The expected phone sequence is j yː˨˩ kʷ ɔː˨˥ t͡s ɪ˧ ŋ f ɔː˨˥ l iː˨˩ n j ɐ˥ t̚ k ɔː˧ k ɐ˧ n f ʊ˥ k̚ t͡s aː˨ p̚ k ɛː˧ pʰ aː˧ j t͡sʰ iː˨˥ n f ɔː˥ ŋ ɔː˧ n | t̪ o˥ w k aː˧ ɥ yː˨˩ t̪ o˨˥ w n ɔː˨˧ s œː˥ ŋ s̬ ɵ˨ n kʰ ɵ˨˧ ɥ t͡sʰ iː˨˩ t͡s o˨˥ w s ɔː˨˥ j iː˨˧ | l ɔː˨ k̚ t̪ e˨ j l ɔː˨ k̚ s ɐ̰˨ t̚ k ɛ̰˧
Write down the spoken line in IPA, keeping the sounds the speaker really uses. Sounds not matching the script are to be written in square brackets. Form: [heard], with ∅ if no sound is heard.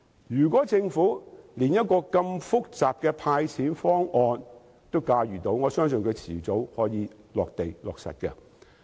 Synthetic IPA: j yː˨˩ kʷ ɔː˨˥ t͡s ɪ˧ ŋ f [uː˨˥] l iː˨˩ n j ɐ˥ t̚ k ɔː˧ k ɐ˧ [m] f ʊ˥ k̚ t͡s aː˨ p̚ k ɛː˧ pʰ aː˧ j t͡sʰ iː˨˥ n f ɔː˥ ŋ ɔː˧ n | t̪ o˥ w k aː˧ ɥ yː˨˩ t̪ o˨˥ w [ŋ] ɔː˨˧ s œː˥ ŋ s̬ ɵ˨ n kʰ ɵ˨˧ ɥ t͡sʰ iː˨˩ t͡s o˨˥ w [h] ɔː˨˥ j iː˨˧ | l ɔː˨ k̚ t̪ e˨ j l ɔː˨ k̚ s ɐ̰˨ t̚ k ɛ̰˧